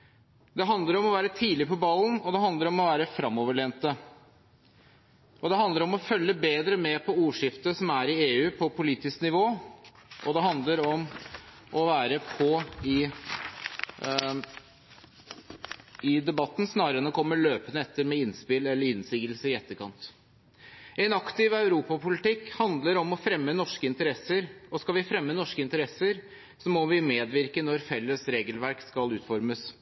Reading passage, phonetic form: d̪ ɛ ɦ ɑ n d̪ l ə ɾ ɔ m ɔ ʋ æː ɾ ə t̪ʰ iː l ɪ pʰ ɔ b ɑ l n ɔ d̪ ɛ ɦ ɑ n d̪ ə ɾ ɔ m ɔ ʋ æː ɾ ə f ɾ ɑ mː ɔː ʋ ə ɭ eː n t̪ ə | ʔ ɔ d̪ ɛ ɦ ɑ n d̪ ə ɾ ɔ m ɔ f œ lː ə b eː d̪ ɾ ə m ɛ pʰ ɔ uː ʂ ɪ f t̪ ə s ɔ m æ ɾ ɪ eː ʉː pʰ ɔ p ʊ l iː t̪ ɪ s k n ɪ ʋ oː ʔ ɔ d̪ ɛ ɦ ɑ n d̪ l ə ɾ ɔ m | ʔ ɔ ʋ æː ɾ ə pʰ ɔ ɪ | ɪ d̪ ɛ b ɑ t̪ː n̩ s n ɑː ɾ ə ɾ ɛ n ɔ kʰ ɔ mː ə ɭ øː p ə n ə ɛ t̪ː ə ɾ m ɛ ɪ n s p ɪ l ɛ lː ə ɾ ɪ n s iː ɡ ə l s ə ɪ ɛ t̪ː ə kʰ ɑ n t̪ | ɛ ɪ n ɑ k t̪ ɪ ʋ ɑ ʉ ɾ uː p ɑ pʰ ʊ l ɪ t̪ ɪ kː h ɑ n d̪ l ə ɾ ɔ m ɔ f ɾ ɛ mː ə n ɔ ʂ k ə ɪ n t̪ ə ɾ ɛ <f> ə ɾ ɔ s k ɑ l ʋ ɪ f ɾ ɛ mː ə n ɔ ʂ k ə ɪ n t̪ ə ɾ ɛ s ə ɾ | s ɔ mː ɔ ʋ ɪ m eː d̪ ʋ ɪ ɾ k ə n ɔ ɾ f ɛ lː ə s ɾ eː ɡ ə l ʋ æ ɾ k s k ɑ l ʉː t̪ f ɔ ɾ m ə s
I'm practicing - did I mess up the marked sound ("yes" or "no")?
yes